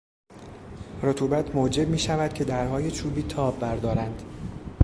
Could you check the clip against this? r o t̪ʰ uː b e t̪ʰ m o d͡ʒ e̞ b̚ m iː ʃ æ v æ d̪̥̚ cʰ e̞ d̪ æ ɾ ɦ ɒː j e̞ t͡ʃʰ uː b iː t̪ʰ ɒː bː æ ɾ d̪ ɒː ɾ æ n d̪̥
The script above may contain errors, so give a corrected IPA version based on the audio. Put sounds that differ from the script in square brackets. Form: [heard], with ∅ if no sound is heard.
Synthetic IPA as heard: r o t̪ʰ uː b [æ] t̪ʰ m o d͡ʒ e̞ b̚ m iː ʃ æ v æ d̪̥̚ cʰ e̞ d̪ æ ɾ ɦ ɒː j e̞ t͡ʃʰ uː b iː t̪ʰ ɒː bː æ ɾ d̪ ɒː ɾ æ n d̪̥